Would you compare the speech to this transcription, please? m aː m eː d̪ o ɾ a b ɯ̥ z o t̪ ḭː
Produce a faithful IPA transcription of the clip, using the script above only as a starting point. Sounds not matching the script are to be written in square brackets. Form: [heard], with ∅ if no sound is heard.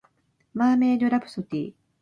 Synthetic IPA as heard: m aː m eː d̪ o ɾ a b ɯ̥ [s] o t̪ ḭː